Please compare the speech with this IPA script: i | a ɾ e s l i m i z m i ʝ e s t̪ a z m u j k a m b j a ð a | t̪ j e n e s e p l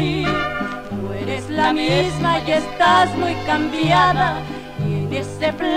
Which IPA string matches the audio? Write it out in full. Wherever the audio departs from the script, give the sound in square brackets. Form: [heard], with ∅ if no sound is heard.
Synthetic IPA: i | [e] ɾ e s l [a] m i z m [a] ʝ e s t̪ a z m u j k a m b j a ð a | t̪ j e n e s e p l